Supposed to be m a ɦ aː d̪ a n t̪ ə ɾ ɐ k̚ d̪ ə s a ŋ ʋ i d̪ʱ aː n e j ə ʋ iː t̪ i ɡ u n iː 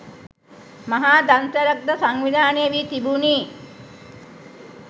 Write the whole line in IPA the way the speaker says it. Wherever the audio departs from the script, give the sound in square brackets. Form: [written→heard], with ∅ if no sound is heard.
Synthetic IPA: m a ɦ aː d̪ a n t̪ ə ɾ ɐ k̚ d̪ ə s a ŋ ʋ i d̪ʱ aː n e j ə ʋ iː t̪ i [ɡ→b] u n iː